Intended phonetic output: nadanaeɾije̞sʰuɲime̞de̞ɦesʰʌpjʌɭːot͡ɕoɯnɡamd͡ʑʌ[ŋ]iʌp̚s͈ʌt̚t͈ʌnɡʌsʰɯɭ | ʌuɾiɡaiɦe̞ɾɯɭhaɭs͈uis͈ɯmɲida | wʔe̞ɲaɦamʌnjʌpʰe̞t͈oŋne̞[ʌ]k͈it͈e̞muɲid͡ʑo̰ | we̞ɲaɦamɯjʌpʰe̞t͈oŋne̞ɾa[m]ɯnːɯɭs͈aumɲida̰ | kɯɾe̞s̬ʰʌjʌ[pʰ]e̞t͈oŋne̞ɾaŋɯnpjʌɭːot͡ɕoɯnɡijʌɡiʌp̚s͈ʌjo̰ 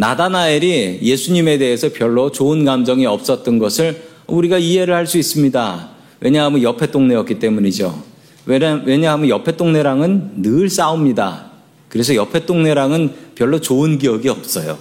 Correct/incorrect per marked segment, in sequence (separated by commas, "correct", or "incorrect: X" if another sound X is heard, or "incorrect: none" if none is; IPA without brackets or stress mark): correct, correct, incorrect: ŋ, correct